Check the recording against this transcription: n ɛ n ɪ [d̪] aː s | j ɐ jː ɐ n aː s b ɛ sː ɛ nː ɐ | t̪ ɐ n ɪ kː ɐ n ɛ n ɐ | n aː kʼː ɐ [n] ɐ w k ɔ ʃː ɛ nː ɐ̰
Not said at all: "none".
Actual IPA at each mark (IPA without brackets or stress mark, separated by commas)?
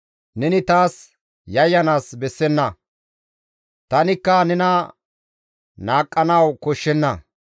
t̪, n